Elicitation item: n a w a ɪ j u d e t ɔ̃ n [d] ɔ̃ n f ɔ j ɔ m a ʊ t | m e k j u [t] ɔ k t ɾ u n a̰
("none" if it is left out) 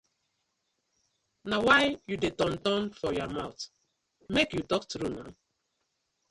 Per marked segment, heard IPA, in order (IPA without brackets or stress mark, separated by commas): t, t